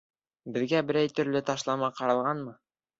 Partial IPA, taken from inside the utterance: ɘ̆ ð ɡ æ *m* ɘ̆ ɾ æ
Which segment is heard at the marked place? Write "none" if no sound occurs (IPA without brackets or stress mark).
b